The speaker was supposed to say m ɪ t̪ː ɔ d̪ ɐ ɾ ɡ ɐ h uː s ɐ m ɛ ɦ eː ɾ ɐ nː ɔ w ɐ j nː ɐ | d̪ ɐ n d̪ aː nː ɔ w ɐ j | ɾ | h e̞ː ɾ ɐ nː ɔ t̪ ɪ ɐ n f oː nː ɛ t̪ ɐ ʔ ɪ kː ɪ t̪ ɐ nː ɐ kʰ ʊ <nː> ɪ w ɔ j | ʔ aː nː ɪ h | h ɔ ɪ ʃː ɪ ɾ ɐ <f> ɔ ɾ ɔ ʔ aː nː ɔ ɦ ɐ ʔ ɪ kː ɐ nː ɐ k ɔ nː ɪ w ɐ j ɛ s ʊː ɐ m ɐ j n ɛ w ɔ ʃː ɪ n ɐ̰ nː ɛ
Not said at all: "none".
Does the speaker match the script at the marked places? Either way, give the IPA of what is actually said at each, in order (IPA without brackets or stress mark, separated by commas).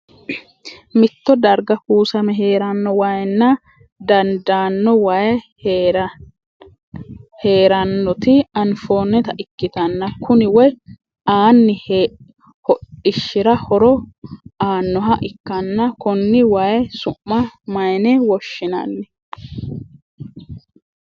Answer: n, h